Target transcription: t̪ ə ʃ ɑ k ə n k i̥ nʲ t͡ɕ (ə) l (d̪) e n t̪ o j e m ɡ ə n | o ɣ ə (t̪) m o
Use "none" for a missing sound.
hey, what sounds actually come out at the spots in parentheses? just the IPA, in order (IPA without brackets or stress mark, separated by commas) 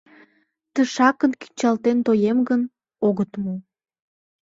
ɑ, t̪, t̪